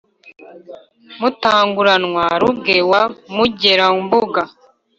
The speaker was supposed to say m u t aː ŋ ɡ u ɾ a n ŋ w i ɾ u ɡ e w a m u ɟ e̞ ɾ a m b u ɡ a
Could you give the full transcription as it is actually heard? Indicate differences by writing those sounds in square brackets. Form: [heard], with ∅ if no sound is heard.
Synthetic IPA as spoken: m u t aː ŋ ɡ u ɾ a n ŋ w [a] ɾ u ɡ e w a m u ɟ e̞ ɾ a m b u ɡ a